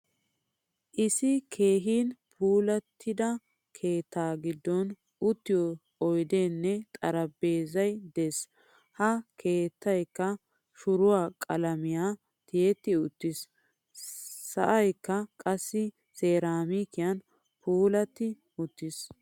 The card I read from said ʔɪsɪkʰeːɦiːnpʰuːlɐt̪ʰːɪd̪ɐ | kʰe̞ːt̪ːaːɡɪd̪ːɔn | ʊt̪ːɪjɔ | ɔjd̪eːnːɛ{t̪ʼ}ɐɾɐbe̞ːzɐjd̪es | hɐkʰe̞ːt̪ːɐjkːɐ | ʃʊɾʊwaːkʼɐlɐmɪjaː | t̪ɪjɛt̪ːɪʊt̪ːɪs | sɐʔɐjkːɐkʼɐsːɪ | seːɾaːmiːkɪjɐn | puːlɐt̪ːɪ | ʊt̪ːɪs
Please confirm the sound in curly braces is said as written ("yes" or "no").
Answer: yes